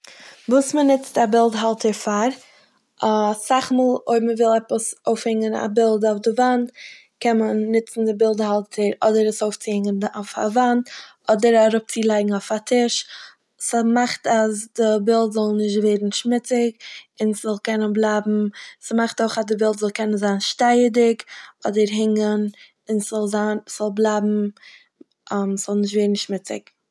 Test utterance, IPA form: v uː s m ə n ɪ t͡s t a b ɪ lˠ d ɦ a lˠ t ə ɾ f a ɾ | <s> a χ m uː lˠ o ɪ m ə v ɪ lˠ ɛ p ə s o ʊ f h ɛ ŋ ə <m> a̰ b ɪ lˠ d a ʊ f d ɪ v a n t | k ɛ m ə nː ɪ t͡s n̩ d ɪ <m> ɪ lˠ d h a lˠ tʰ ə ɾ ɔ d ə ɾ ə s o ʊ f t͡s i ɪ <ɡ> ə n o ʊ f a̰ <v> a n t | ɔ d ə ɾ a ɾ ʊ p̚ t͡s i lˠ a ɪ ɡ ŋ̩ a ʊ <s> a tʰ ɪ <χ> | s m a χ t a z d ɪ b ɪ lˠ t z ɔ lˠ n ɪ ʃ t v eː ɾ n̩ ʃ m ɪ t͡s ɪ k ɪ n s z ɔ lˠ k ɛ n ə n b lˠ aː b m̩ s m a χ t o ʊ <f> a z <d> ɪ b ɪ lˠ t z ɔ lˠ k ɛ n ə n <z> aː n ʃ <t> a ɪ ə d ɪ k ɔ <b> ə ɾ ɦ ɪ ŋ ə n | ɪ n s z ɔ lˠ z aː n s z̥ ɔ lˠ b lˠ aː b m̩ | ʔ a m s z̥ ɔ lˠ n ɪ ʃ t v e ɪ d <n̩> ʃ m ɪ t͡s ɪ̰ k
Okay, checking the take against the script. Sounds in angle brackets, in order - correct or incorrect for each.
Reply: correct, incorrect: n, incorrect: b, incorrect: ŋ, correct, incorrect: f, incorrect: ʃ, incorrect: χ, correct, correct, correct, incorrect: d, correct

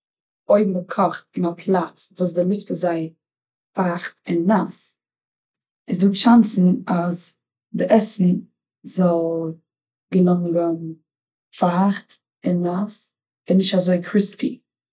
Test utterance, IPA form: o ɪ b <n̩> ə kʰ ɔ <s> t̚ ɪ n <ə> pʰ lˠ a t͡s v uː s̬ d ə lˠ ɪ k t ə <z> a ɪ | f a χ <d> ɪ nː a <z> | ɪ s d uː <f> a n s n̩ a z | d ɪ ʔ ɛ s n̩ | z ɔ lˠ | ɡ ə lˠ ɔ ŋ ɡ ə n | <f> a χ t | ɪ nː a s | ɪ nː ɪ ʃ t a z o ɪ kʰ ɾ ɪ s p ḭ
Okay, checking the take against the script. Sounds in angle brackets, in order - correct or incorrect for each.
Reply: incorrect: m̩, incorrect: χ, incorrect: a, correct, incorrect: t, incorrect: s, incorrect: ʃ, correct

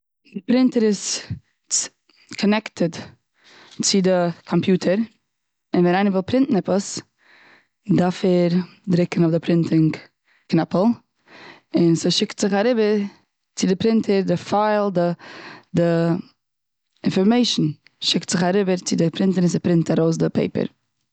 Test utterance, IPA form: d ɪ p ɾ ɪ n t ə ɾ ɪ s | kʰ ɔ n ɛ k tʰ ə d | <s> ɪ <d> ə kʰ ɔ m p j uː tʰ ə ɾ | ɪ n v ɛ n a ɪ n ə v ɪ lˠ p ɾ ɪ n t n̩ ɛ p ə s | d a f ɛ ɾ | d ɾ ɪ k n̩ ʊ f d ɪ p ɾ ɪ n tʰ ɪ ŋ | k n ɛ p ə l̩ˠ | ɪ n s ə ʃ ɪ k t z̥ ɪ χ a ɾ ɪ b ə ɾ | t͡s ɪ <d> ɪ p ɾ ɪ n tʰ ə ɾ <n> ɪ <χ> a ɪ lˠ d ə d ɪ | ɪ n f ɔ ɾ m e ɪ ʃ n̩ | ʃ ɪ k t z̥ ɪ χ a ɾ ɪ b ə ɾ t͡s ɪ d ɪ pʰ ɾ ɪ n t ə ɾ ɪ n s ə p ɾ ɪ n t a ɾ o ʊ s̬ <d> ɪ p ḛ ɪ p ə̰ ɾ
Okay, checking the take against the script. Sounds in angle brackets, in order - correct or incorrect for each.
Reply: incorrect: t͡s, correct, correct, incorrect: d, incorrect: f, correct

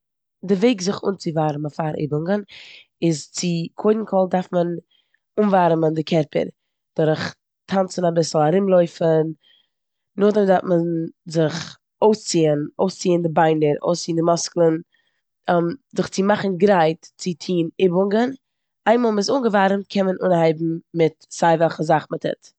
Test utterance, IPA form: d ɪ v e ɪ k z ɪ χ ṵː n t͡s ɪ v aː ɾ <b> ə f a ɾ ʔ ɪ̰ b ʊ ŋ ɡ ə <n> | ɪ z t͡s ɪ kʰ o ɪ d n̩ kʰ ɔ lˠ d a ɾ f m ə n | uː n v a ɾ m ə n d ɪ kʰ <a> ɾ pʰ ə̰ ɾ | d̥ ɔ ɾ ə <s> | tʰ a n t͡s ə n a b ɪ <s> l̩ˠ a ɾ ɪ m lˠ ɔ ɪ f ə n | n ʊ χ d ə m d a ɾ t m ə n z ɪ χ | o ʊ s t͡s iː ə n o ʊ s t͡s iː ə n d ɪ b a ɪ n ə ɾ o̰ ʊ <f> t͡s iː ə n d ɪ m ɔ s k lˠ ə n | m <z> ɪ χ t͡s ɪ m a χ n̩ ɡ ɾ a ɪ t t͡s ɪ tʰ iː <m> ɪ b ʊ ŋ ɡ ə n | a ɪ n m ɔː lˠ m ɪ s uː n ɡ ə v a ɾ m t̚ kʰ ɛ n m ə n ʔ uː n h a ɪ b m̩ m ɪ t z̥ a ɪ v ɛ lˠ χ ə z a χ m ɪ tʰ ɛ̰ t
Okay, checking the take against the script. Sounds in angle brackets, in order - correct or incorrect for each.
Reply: incorrect: m, correct, incorrect: ɛ, incorrect: χ, correct, incorrect: s, correct, incorrect: n

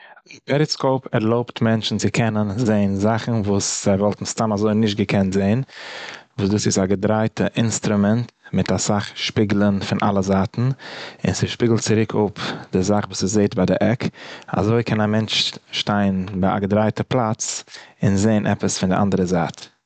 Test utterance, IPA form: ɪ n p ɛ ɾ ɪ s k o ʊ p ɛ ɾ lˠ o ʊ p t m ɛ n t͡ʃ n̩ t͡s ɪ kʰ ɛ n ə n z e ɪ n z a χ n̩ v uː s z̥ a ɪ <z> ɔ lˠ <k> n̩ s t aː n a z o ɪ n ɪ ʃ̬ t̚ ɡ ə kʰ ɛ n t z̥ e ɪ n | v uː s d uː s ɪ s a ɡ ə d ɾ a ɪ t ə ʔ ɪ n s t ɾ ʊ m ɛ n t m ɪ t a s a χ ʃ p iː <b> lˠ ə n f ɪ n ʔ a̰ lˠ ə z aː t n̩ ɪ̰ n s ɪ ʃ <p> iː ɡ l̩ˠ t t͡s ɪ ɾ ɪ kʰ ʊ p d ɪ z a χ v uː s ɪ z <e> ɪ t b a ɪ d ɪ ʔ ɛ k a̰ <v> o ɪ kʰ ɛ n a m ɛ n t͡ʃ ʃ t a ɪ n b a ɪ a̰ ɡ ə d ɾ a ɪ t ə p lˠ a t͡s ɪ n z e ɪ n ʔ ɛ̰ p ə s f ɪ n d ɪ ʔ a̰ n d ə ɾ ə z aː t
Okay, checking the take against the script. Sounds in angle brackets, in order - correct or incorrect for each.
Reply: incorrect: v, incorrect: t, incorrect: ɡ, correct, correct, incorrect: z

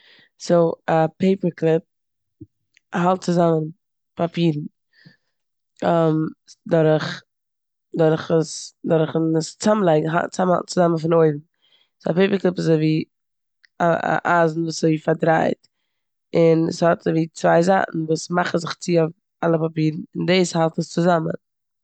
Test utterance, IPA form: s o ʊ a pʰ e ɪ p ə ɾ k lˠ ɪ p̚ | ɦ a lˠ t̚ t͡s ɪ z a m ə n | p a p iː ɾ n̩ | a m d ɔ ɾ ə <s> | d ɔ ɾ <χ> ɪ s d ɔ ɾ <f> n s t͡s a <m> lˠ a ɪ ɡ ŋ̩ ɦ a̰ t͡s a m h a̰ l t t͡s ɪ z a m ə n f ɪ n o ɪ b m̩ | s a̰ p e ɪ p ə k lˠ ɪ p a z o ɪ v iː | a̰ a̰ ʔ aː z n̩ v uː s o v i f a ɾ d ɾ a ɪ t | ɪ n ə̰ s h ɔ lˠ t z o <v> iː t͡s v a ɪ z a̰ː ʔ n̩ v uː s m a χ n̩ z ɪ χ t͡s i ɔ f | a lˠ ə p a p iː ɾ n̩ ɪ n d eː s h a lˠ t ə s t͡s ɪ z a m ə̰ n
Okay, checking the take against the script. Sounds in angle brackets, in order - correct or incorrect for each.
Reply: incorrect: χ, correct, incorrect: χ, correct, correct

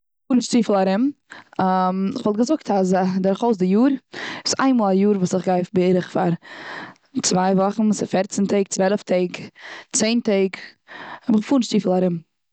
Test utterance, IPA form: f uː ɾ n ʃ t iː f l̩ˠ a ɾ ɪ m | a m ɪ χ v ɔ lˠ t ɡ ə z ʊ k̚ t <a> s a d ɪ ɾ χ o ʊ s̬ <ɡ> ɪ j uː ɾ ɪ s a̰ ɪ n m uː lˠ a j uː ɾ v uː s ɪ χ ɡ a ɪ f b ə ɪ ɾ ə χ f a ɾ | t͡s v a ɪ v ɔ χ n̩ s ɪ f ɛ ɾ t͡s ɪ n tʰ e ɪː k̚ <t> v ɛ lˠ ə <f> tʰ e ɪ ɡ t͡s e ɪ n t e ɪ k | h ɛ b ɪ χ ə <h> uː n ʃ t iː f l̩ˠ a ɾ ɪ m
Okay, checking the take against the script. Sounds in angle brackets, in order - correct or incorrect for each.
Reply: correct, incorrect: d, incorrect: t͡s, correct, incorrect: f

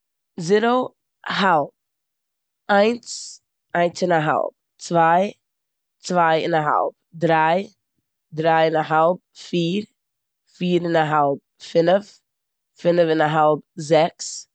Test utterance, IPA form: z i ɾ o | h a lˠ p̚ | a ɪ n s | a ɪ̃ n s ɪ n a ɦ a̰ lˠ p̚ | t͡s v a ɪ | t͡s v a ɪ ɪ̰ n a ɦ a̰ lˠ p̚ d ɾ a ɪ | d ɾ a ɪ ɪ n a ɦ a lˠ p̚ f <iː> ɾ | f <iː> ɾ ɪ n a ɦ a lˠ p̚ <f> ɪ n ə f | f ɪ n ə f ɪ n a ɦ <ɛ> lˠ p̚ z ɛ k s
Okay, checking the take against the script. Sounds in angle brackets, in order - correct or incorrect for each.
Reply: correct, correct, correct, incorrect: a

